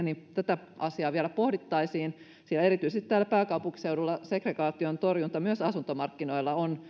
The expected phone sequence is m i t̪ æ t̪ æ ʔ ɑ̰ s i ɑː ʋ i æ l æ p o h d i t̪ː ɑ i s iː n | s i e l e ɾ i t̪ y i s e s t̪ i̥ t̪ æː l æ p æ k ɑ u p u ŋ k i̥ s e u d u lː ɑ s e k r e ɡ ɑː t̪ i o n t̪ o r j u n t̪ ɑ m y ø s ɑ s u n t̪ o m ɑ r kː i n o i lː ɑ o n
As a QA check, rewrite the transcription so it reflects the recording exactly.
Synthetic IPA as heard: n i t̪ æ t̪ æ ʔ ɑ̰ s i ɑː ʋ i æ l æ p o h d i t̪ː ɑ i s iː n | s i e l e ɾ i t̪ y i s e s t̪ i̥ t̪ æː l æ p æː k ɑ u p u ŋ k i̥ s e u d u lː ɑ s e k r e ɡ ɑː t̪ i o n t̪ o r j u n t̪ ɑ m y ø s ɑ s u n t̪ o m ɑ r kː i n o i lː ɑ o n

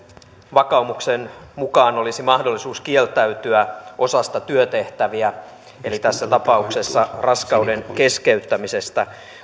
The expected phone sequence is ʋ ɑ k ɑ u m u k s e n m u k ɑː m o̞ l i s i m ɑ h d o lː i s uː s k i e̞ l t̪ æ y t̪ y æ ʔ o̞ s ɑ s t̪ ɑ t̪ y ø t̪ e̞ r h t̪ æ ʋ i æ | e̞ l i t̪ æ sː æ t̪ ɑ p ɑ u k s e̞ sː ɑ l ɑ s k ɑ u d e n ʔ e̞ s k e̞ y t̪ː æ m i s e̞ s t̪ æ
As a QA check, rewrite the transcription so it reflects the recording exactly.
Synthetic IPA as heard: ʋ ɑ k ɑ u m u k s e n m u k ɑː n o̞ l i s i m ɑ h d o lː i s uː s k i e̞ l t̪ æ y t̪ y æ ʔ o̞ s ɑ s t̪ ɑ t̪ y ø t̪ e̞ h t̪ æ ʋ i æ | e̞ l i t̪ æ sː æ t̪ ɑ p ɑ u k s e̞ sː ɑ r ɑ s k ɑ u d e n k e̞ s k e̞ y t̪ː æ m i s e̞ s t̪ æ

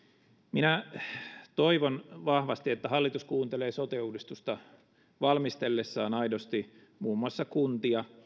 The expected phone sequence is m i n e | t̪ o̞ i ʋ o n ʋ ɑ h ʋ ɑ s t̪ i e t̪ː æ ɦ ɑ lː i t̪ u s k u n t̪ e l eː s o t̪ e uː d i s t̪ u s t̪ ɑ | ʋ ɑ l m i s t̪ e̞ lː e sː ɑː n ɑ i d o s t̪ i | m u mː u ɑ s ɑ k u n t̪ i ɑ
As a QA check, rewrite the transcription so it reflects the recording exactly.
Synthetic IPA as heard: m i n æ | t̪ o̞ i ʋ o n ʋ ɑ h ʋ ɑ s t̪ i e t̪ː æ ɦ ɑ lː i t̪ u s k uː n t̪ e l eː s o t̪ e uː d i s t̪ u s t̪ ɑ | ʋ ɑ l m i s t̪ e̞ lː e sː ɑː n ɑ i d o s t̪ i | m uː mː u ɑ sː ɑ k u n t̪ i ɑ

